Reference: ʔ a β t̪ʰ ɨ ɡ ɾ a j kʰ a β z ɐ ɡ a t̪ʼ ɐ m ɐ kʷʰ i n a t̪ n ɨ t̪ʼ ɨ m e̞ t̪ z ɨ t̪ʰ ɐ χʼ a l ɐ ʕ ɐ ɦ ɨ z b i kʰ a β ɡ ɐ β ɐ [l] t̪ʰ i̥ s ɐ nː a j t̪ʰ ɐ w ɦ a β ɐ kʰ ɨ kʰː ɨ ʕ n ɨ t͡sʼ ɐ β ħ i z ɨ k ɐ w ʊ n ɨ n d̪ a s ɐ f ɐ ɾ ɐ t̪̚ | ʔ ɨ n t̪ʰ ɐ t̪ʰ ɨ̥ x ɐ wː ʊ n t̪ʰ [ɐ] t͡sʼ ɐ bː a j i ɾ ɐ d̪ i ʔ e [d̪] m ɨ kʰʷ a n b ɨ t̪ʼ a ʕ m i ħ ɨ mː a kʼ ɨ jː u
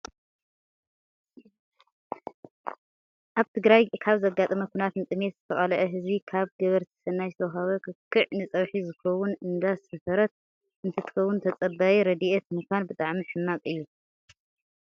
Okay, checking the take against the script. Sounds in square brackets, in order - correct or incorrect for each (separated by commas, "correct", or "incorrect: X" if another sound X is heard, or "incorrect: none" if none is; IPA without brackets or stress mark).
incorrect: ɾ, correct, incorrect: t̪